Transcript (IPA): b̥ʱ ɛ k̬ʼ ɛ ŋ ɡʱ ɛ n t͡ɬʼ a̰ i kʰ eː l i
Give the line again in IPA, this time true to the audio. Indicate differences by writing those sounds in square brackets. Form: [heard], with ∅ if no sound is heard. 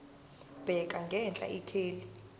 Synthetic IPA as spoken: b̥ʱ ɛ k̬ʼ [a] ŋ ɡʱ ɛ n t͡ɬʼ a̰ i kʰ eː l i